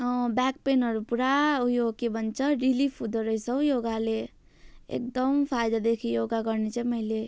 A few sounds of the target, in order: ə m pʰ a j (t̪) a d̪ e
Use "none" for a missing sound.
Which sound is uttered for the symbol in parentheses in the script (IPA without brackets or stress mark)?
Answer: d̪